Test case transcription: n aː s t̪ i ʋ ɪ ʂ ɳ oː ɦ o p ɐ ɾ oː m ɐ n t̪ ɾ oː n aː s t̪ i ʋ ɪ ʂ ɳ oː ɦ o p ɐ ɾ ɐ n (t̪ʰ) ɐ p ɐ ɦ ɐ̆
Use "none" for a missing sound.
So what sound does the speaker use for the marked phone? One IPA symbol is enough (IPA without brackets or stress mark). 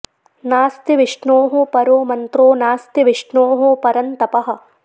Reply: t̪